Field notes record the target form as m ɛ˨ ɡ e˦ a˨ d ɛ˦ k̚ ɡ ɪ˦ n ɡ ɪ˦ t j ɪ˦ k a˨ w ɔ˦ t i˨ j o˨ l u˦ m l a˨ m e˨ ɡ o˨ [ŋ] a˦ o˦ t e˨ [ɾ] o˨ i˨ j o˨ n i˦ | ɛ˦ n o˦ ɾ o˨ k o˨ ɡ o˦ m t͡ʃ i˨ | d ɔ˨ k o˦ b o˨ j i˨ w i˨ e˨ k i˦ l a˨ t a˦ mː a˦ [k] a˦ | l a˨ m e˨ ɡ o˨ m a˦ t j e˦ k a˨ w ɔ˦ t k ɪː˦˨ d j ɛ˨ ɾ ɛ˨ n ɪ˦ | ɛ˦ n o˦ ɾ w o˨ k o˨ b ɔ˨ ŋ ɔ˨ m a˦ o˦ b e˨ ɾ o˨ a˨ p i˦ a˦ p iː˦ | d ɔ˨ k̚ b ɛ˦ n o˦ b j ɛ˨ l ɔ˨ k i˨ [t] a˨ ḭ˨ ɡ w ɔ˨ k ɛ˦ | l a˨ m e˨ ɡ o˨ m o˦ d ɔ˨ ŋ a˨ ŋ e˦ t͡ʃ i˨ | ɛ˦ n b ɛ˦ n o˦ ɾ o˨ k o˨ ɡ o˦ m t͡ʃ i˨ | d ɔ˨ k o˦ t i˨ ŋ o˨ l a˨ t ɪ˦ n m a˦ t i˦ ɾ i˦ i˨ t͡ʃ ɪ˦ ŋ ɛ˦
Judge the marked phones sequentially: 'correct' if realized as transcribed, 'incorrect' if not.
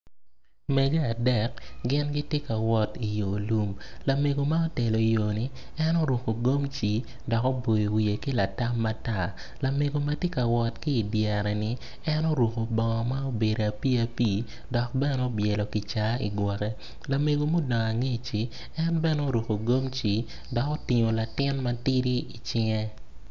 incorrect: m, incorrect: l, incorrect: t, incorrect: t͡ʃ

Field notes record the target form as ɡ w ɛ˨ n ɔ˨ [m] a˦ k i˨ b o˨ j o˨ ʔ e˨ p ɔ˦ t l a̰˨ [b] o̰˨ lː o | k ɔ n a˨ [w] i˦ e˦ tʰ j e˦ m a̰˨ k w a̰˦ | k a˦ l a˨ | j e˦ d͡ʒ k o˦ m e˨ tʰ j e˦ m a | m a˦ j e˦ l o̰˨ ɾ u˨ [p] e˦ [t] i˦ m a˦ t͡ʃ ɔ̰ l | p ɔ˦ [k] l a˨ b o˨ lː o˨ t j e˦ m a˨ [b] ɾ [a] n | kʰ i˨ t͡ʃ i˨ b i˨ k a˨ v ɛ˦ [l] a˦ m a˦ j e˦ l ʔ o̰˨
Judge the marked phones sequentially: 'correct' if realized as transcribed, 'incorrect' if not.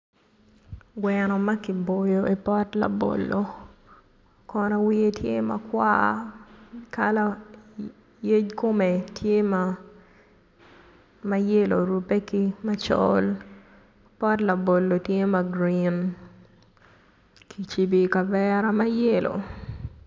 correct, correct, correct, correct, incorrect: k, incorrect: t, incorrect: ɡ, incorrect: i, incorrect: ɾ

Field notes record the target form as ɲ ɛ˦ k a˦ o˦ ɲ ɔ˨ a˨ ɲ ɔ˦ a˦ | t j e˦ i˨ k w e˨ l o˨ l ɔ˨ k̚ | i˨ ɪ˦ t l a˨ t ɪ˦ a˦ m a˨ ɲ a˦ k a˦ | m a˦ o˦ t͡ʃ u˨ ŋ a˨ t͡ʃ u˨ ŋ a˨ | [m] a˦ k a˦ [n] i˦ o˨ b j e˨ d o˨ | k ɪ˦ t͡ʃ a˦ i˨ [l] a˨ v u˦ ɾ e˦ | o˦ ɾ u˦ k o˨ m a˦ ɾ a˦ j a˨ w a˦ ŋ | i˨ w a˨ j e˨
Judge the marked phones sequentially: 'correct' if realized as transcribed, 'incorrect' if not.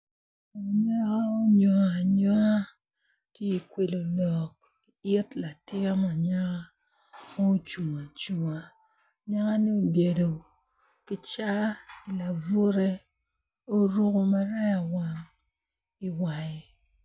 incorrect: ɲ, correct, correct

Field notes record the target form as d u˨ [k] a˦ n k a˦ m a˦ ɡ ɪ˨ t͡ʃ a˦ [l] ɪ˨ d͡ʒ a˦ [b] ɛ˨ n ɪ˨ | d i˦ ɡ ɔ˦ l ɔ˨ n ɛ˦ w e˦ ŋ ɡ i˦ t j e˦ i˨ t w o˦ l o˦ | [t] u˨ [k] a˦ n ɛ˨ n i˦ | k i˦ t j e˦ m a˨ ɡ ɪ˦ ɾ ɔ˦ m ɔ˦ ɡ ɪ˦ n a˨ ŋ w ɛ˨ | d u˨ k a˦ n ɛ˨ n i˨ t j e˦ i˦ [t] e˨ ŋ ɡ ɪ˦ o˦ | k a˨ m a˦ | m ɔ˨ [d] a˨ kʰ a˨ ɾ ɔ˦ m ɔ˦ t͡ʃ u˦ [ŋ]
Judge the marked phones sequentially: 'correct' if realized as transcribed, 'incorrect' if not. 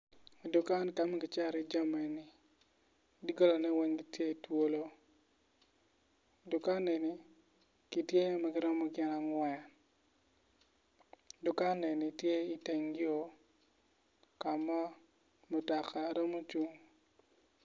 correct, incorrect: ɾ, incorrect: m, incorrect: d, correct, correct, incorrect: t, correct

